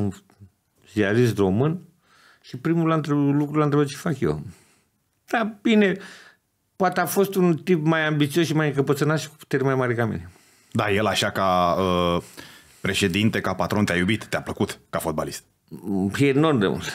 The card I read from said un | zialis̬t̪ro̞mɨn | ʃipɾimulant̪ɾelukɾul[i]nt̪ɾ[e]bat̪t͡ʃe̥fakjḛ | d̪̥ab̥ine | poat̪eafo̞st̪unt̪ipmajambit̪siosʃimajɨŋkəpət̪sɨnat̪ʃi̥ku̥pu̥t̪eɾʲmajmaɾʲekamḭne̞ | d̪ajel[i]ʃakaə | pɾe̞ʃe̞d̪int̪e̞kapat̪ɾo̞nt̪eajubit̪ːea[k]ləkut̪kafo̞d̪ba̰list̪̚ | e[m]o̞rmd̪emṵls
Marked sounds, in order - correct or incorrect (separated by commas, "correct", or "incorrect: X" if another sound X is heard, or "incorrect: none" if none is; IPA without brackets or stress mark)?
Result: incorrect: a, correct, incorrect: a, incorrect: p, incorrect: n